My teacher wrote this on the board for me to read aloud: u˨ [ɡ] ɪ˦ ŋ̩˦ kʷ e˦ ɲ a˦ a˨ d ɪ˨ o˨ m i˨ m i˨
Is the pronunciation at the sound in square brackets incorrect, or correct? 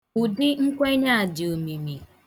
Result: incorrect